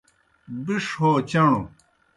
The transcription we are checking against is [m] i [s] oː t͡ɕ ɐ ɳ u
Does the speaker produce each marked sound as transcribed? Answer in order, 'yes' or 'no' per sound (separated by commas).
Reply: no, no